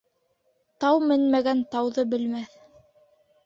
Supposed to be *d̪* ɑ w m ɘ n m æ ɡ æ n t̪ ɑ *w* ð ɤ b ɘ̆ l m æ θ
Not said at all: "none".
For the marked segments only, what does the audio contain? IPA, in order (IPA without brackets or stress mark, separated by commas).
t̪, w